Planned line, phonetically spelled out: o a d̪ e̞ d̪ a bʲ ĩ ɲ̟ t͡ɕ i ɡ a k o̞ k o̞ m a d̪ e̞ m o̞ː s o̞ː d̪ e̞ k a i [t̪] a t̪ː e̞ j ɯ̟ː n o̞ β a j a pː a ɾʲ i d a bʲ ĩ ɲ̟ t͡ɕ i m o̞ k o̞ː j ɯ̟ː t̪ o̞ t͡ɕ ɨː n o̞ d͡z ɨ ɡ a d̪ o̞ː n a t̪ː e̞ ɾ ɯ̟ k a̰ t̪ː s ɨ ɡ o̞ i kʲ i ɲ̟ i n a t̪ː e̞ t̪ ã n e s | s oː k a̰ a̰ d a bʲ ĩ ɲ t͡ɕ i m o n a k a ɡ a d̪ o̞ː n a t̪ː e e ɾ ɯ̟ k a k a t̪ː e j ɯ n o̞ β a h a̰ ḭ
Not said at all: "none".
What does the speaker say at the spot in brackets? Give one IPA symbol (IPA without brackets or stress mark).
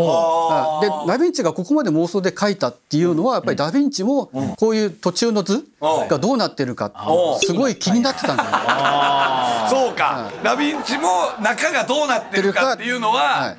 t̪